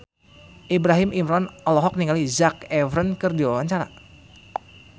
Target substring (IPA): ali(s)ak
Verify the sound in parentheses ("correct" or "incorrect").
incorrect